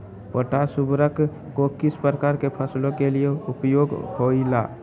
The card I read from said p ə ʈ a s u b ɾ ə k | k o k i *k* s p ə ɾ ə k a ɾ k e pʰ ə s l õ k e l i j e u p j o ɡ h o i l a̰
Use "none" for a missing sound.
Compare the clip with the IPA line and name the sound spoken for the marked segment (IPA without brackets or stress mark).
none